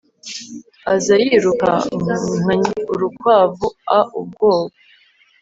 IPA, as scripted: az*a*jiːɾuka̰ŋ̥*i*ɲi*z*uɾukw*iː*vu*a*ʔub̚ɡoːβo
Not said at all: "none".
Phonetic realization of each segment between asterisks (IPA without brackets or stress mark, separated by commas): a, a, none, aː, a